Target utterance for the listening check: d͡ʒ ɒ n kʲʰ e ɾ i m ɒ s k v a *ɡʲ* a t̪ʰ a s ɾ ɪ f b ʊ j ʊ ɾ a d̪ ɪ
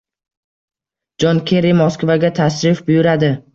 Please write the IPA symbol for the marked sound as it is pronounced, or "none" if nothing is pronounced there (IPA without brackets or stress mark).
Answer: ɡʲ